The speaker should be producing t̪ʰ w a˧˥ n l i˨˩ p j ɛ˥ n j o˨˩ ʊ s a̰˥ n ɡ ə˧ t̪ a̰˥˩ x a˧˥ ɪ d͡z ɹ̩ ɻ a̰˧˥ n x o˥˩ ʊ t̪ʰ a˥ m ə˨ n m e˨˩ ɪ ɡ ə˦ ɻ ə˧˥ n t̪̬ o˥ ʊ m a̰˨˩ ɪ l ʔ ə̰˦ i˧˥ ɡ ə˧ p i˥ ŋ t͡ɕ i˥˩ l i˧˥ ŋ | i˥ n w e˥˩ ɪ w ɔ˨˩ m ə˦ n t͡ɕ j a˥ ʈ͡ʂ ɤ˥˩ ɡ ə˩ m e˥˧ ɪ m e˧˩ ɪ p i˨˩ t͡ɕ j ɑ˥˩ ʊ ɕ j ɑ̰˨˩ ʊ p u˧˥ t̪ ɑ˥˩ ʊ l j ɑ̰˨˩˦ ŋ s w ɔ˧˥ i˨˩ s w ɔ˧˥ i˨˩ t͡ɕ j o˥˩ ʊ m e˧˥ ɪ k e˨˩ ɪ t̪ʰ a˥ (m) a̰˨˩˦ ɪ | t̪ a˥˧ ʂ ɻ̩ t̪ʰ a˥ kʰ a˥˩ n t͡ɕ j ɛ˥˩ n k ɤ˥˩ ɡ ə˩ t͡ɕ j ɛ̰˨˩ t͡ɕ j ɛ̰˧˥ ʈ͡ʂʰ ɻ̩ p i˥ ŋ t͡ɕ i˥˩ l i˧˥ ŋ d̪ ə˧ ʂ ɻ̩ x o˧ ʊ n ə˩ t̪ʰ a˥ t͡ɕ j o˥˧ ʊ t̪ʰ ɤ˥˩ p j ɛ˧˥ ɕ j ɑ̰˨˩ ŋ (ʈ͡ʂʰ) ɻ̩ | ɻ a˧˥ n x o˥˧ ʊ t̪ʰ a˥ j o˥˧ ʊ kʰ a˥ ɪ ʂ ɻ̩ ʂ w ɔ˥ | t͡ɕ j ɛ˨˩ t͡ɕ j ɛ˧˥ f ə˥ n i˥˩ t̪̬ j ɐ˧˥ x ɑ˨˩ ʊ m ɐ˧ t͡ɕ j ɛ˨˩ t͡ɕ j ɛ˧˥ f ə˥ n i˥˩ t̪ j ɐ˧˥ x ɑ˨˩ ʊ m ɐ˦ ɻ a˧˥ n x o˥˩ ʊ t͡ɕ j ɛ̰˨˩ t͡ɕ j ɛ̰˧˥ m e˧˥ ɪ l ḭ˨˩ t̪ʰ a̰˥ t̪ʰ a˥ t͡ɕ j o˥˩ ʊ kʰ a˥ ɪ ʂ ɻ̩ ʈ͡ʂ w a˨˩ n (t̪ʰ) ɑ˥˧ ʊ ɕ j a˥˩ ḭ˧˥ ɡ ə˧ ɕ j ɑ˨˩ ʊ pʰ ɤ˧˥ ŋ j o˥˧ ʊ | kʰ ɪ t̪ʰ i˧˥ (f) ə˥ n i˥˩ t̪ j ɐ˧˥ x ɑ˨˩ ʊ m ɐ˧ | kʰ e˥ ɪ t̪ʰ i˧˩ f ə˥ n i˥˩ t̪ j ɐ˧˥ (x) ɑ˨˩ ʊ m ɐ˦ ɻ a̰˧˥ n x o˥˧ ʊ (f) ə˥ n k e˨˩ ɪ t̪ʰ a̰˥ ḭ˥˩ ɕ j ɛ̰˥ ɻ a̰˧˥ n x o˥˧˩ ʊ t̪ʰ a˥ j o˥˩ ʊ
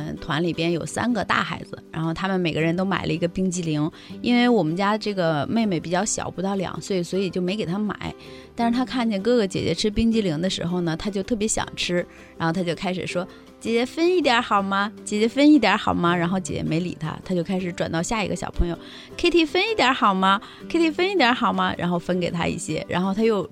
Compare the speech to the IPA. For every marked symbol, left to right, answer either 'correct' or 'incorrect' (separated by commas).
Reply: correct, correct, incorrect, correct, correct, correct